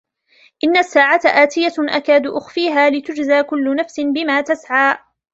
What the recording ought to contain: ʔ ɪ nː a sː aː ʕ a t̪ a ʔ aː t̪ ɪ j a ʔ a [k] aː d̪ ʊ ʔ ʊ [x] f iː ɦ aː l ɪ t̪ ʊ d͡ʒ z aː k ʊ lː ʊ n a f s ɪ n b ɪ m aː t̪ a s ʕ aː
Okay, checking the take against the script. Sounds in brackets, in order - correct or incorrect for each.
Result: correct, correct

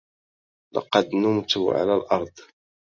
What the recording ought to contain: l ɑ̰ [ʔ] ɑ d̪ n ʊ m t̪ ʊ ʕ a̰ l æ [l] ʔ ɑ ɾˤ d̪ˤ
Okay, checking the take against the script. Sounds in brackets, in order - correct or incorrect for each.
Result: incorrect: q, correct

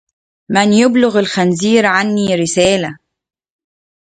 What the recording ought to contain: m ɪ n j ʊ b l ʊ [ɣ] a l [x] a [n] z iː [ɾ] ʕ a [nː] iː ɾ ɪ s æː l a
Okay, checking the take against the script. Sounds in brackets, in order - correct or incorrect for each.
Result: correct, correct, correct, correct, correct

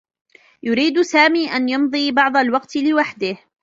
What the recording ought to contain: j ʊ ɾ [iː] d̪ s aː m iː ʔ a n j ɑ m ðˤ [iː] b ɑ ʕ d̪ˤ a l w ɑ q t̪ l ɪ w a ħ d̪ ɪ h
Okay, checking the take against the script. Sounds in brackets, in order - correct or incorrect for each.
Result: correct, correct

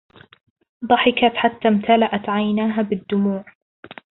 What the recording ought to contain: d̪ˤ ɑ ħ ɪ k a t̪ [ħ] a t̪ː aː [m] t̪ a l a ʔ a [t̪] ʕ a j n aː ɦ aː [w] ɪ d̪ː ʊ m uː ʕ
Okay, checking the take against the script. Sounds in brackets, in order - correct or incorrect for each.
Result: correct, correct, correct, incorrect: b

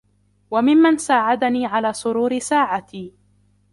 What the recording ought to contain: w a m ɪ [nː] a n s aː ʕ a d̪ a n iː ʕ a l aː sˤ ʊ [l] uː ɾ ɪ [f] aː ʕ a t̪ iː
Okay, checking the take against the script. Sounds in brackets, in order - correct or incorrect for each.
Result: incorrect: mː, incorrect: ɾ, incorrect: s

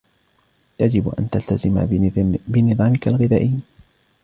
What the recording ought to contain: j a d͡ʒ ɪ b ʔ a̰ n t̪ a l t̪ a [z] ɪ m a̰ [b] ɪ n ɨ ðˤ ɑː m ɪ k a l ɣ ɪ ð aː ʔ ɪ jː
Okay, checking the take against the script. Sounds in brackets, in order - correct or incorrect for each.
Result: correct, correct

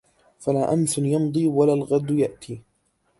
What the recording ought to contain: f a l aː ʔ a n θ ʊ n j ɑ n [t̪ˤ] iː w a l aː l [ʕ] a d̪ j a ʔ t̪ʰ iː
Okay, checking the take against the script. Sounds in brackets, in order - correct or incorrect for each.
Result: incorrect: d̪ˤ, incorrect: ɣ

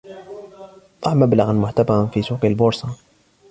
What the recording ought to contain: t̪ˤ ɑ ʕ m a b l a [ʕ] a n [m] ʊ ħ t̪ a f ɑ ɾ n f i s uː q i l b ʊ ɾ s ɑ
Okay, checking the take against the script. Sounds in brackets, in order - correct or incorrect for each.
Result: incorrect: ɣ, correct

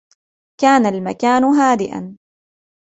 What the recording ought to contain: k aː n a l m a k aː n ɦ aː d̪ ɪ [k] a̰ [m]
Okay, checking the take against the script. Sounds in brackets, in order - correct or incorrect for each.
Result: incorrect: ʔ, incorrect: n

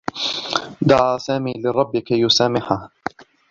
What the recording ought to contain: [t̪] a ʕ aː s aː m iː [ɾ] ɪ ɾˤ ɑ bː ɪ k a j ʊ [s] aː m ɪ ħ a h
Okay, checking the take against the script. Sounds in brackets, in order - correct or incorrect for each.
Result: incorrect: d̪, incorrect: l, correct

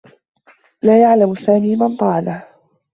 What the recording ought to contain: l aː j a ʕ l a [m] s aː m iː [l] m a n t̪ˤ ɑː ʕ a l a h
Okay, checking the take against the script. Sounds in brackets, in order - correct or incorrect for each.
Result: correct, incorrect: none

